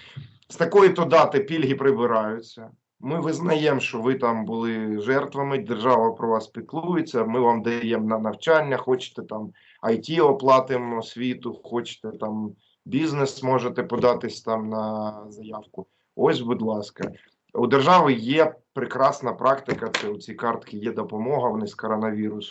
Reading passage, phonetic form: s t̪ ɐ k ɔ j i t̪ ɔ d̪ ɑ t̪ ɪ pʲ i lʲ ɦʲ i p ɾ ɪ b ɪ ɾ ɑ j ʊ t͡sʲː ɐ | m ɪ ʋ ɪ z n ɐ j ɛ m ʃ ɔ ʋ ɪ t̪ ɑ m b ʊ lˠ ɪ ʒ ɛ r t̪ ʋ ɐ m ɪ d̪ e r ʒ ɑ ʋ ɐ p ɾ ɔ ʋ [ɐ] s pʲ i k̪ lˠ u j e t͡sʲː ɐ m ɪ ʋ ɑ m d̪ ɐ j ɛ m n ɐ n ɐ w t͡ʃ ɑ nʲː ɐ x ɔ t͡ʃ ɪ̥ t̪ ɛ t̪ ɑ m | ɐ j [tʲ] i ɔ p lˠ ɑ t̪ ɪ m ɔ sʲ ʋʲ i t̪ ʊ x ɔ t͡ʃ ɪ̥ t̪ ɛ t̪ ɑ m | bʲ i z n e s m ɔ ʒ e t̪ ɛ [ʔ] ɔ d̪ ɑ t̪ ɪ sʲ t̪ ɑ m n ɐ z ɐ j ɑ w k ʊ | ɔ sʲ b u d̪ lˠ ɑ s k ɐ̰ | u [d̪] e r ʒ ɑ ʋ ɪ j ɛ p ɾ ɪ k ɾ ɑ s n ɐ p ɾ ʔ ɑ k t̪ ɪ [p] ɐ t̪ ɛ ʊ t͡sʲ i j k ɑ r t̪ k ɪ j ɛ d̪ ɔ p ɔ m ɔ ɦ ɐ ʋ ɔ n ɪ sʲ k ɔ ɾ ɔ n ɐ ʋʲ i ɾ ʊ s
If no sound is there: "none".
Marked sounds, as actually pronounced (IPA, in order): ɑ, tʲ, p, d̪, k

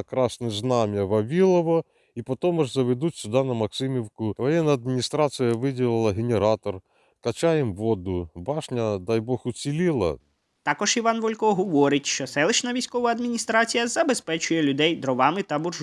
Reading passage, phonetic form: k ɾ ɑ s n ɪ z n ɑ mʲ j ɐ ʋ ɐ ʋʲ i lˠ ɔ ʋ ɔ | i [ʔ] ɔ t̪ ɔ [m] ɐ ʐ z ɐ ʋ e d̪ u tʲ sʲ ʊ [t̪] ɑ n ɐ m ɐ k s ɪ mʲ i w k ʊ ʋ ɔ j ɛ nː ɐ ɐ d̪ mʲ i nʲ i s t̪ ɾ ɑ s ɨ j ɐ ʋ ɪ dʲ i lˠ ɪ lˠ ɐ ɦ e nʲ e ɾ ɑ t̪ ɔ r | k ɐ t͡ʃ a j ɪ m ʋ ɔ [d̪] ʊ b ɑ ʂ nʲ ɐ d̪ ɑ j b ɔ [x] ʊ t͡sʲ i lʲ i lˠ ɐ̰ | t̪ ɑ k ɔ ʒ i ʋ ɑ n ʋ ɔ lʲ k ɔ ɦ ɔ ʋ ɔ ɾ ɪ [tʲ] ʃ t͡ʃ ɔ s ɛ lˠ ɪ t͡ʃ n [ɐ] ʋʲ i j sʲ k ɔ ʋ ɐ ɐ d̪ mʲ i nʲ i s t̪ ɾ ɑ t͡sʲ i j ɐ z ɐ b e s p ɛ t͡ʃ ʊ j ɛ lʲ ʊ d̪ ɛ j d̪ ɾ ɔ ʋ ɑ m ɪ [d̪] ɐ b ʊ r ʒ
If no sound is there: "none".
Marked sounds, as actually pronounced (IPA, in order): p, m, d̪, d̪, x, tʲ, ɐ, t̪

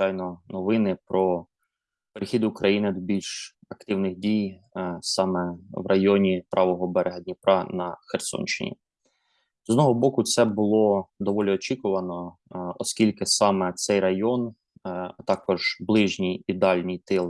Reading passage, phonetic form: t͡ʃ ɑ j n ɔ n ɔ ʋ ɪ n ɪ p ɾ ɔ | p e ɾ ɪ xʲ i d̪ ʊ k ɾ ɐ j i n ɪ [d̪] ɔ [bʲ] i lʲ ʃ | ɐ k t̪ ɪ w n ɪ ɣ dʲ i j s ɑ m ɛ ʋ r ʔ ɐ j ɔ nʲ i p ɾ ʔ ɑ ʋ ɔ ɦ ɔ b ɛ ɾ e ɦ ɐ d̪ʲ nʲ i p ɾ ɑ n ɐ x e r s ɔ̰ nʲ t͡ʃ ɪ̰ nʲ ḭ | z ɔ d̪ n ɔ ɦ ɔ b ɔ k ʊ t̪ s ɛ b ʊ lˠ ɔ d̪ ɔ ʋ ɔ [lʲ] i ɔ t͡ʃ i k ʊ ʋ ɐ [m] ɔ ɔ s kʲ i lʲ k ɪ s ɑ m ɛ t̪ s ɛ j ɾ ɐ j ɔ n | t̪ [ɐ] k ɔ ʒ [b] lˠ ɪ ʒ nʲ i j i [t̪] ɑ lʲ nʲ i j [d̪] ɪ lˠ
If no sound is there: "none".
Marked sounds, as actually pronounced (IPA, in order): d̪, bʲ, lʲ, n, ɑ, b, d̪, t̪

